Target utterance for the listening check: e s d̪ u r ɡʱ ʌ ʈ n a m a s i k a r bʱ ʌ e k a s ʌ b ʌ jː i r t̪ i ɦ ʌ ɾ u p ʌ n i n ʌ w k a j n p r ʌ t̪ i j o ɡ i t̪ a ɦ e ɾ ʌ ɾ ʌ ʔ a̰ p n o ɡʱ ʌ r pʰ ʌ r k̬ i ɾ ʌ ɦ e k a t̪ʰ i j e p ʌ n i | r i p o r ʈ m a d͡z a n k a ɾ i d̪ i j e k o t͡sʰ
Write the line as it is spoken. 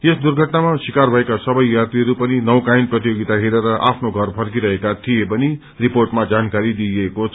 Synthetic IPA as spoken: e s d̪ u r ɡʱ ʌ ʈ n a m a s i k a r bʱ ʌ e k a s ʌ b ʌ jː a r t̪ i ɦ ʌ ɾ u p ʌ n i n ʌ w k a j n p r ʌ t̪ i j o ɡ i t̪ a ɦ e ɾ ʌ ɾ ʌ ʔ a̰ pʰ n o ɡʱ ʌ r pʰ ʌ r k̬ i ɾ ʌ ɦ e k a t̪ʰ i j e p ʌ n i | r i p o r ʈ m a d͡z a n k a ɾ i d̪ i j e k o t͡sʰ